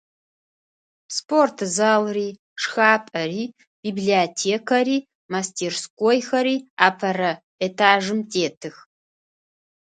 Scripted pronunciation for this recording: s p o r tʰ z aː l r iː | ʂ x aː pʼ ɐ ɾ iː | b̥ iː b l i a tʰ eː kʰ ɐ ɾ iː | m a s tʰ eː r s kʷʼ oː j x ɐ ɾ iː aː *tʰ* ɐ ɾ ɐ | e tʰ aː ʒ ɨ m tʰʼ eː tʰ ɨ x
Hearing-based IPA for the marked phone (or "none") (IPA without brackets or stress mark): pʰ